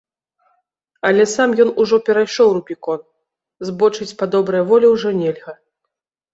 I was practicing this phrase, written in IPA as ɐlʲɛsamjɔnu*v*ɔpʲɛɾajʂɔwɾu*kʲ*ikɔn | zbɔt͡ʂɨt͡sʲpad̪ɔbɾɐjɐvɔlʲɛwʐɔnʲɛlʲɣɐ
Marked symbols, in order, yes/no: no, no

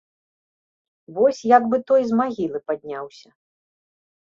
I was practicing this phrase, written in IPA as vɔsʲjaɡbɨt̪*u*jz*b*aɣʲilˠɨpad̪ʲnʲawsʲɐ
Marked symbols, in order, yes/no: no, no

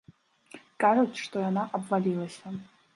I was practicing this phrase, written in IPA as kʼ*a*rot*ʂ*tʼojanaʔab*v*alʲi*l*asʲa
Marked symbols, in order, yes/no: yes, yes, yes, yes

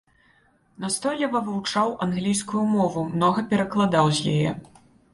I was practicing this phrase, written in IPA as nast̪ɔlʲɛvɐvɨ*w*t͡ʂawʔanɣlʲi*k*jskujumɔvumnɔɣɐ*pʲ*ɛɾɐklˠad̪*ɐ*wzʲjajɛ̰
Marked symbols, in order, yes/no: yes, no, yes, no

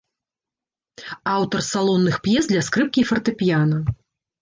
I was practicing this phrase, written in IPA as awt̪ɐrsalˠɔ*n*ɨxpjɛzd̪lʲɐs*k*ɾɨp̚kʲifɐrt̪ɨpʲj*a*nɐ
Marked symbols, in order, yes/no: no, yes, yes

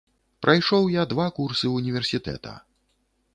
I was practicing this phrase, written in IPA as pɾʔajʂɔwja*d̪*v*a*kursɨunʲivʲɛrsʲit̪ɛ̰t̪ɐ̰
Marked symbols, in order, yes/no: yes, yes

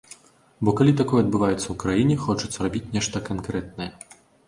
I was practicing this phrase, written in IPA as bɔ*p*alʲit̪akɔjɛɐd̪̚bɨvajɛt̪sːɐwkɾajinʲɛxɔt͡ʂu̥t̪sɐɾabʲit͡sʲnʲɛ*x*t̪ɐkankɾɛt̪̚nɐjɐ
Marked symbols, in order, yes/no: no, no

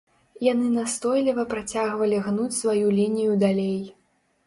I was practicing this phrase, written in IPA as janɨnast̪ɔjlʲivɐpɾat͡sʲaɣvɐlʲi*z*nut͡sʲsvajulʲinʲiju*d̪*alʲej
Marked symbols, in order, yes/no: no, yes

